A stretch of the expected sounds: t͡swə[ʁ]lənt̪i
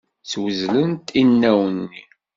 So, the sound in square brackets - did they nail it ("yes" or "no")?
no